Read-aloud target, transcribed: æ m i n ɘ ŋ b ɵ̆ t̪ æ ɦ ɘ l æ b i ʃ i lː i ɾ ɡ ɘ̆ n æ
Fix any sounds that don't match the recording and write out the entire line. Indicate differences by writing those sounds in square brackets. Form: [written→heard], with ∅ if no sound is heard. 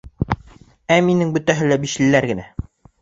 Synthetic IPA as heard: æ m i n ɘ ŋ b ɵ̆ t̪ æ ɦ ɘ l æ b i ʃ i lː [i→æ] ɾ ɡ ɘ̆ n æ